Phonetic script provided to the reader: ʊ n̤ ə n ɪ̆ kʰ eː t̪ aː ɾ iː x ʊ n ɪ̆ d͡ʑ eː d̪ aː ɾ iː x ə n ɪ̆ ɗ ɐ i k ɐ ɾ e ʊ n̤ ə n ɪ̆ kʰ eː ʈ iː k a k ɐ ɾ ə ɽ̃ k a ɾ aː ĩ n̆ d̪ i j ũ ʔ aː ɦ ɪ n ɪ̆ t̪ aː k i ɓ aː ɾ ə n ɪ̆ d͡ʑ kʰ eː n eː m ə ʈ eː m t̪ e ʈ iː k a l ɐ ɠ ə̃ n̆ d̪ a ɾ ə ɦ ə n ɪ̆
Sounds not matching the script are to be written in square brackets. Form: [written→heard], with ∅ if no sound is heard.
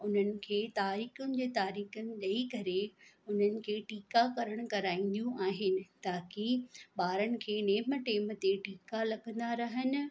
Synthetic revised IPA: ʊ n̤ ə n ɪ̆ kʰ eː t̪ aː ɾ iː x ʊ n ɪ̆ d͡ʑ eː [d̪→t̪] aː ɾ iː x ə n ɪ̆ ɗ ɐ i k ɐ ɾ e ʊ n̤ ə n ɪ̆ kʰ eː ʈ iː k a k ɐ ɾ ə ɽ̃ k [a→ɐ] ɾ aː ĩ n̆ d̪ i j ũ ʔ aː ɦ ɪ n ɪ̆ t̪ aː k i ɓ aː ɾ ə n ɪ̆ [d͡ʑ→∅] kʰ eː n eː m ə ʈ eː m t̪ e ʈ iː k a l ɐ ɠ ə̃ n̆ d̪ a ɾ [ə→ɐ] ɦ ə n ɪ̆